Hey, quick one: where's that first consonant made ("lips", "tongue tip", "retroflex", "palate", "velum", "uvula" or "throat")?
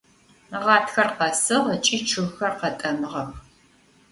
uvula